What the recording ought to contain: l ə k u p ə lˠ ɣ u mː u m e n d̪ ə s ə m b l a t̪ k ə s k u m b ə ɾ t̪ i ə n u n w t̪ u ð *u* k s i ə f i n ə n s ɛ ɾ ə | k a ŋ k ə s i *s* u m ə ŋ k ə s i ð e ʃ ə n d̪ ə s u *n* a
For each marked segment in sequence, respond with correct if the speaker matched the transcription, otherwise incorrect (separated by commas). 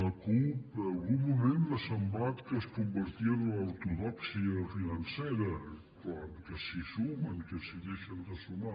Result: incorrect, correct, incorrect